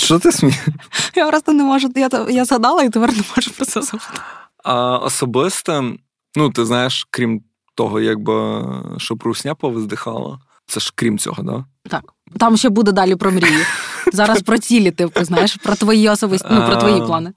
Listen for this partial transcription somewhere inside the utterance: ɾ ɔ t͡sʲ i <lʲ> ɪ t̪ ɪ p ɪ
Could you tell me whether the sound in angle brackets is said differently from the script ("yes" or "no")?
no